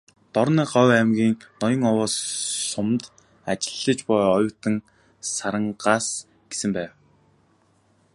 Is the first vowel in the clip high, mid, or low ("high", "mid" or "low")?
mid